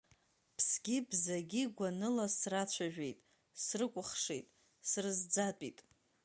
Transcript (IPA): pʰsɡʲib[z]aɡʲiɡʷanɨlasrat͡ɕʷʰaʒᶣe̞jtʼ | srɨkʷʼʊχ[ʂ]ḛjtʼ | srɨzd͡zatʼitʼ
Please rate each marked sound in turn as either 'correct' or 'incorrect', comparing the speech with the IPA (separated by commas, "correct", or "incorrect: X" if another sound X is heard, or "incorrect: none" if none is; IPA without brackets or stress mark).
correct, correct